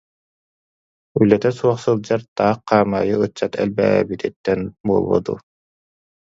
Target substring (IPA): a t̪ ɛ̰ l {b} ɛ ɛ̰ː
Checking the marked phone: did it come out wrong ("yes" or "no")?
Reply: no